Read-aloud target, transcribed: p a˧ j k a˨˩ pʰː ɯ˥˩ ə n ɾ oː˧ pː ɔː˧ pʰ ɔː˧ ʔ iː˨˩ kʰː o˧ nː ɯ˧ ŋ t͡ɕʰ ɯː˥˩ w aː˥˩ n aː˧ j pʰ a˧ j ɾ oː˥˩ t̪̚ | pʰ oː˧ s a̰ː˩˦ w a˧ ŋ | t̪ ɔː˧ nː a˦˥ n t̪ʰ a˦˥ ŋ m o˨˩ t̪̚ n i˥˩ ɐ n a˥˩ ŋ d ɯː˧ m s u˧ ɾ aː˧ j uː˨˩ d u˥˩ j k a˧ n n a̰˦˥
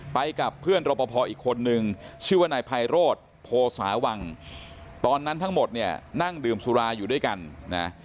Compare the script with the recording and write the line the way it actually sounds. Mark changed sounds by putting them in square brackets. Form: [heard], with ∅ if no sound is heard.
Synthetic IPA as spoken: p a˧ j k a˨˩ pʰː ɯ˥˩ ə n ɾ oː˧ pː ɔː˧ pʰ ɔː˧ ʔ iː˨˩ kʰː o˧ nː ɯ˧ ŋ t͡ɕʰ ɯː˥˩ w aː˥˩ n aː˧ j pʰ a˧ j ɾ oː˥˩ t̪̚ | pʰ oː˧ s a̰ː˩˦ w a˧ ŋ | t̪ ɔː˧ nː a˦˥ n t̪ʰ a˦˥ ŋ m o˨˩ t̪̚ n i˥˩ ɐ n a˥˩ ŋ d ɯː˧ m s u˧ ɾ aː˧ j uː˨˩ d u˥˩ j k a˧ n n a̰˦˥